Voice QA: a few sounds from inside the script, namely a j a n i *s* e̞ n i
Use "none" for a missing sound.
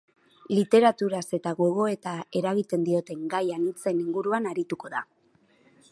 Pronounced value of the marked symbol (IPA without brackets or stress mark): t͡s